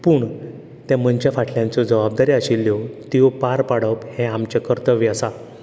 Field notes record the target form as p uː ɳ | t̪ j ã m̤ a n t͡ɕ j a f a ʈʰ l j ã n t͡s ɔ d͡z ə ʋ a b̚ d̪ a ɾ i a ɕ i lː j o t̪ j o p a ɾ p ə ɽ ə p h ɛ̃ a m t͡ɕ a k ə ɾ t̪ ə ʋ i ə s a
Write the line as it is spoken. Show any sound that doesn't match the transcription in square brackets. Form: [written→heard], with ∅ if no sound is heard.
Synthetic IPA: p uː ɳ | t̪ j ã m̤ [a→ə] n t͡ɕ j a f a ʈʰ l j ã n t͡s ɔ d͡z ə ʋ a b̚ d̪ a ɾ i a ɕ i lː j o t̪ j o p a ɾ p [ə→a] ɽ ə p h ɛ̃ a m t͡ɕ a k ə ɾ t̪ ə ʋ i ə s a